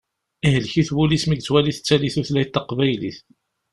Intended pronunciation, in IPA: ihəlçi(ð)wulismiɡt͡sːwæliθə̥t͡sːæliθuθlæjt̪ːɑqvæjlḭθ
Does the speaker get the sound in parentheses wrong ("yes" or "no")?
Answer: yes